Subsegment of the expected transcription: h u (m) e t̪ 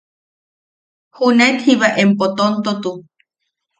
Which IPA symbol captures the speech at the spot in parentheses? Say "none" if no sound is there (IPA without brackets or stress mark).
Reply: n